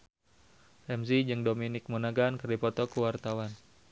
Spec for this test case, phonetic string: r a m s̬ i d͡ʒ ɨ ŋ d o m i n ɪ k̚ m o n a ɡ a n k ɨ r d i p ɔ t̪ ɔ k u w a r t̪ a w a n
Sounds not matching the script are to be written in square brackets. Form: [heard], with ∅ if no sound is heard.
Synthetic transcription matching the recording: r [ɛ] m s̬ i d͡ʒ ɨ ŋ d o m i n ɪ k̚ m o n a ɡ a n k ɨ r d i p ɔ t̪ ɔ k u w a r t̪ a w a n